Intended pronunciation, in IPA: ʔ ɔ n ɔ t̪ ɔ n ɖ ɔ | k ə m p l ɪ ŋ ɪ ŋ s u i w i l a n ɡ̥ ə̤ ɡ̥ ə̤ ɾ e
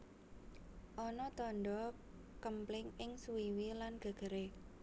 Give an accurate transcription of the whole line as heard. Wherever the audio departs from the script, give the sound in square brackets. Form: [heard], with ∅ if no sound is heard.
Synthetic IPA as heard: ʔ ɔ n ɔ t̪ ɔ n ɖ ɔ | k ə m p l ɪ ŋ ɪ ŋ s u i w i l a n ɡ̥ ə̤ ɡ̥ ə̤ ɾ e